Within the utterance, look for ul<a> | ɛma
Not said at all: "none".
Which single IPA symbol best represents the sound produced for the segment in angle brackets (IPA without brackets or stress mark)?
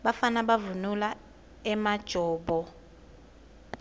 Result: a